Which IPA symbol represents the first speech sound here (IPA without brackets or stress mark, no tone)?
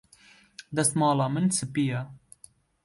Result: d̪